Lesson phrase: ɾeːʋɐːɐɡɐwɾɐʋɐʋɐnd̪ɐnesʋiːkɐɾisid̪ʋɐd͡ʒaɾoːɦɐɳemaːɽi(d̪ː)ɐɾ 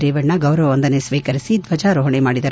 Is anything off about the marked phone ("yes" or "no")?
yes